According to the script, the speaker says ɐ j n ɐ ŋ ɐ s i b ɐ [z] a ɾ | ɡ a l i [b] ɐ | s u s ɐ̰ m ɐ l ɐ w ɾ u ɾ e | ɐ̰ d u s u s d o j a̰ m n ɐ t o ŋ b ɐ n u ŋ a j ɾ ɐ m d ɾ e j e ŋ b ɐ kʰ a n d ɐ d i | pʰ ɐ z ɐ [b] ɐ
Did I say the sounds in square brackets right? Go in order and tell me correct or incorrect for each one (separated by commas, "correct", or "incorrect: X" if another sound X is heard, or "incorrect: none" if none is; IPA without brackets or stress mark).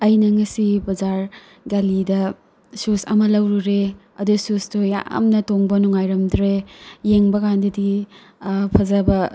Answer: correct, incorrect: d, correct